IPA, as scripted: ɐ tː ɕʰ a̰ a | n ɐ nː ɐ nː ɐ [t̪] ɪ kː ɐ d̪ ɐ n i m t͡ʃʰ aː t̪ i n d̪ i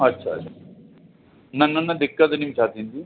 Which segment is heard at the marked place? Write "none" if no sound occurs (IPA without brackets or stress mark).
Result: d̪